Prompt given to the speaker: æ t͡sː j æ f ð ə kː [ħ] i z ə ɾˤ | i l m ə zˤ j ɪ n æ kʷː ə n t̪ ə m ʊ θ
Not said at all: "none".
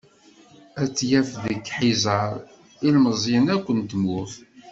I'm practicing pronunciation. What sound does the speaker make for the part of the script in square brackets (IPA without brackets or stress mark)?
ħ